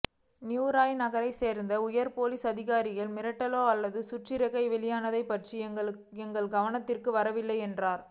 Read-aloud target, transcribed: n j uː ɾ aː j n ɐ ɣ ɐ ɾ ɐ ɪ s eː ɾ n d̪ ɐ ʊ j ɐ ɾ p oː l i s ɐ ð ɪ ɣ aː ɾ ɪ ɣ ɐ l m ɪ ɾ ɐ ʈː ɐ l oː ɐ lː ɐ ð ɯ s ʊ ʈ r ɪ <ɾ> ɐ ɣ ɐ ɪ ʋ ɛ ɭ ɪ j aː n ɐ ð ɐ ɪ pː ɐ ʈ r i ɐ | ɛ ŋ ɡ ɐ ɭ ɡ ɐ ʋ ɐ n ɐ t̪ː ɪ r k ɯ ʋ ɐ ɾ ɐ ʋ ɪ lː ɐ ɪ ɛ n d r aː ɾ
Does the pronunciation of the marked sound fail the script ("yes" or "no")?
no